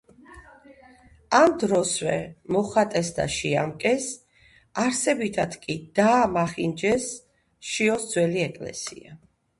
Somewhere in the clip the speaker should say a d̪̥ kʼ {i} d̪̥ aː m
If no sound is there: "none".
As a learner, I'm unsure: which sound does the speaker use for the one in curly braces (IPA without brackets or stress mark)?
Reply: i